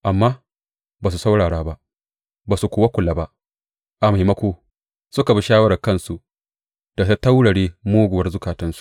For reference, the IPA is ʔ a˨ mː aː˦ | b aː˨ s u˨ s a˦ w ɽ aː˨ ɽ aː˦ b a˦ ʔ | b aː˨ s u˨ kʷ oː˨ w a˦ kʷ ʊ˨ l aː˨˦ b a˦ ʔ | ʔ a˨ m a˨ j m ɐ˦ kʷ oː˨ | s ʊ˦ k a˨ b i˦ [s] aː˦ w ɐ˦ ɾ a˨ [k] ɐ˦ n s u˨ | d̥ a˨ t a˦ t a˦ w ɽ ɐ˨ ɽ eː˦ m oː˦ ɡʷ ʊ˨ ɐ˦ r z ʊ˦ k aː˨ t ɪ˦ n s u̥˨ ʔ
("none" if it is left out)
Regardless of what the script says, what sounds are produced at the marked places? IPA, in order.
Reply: ʃ, k

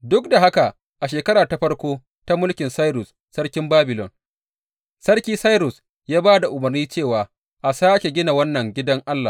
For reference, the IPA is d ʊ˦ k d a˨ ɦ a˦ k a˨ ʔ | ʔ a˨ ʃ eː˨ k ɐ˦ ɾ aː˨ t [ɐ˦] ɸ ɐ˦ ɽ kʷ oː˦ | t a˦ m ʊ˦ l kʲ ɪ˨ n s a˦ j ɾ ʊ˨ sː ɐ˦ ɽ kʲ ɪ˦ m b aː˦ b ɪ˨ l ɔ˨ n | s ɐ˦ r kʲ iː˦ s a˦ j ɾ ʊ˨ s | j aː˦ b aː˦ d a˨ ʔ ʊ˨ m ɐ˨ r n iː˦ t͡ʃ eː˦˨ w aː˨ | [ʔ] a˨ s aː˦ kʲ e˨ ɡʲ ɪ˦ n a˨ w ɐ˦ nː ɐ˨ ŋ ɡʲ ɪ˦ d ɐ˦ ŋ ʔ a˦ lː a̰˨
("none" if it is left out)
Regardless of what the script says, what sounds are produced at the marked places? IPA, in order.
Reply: a˦, ʔ

